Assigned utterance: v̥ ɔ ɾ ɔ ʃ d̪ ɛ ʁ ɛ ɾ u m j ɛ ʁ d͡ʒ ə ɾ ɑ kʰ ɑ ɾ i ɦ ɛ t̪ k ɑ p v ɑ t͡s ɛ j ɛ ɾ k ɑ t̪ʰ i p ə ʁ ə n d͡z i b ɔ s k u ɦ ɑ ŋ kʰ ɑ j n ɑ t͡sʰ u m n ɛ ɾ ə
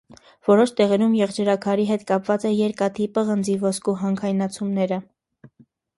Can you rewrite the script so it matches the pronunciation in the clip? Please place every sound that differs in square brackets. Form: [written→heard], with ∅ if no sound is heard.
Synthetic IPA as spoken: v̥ ɔ ɾ ɔ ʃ [d̪→t̪] ɛ ʁ ɛ ɾ u m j ɛ ʁ d͡ʒ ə ɾ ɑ kʰ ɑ ɾ i ɦ ɛ t̪ k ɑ p v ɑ t͡s ɛ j ɛ ɾ k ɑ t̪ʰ i p ə ʁ ə n d͡z i [b→v] ɔ s k u ɦ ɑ ŋ kʰ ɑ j n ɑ t͡sʰ u m n ɛ ɾ ə